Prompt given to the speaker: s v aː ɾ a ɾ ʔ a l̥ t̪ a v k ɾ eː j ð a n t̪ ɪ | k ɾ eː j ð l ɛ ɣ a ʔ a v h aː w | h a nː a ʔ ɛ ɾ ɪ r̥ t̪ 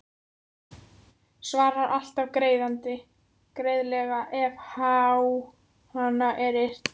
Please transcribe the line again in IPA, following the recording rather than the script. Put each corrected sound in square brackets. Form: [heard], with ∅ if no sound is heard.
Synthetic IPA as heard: s v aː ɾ a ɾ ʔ a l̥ t̪ a v k ɾ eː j ð a n t̪ ɪ | k ɾ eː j ð l ɛ ɣ a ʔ [ɛ] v h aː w | h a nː a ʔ ɛ ɾ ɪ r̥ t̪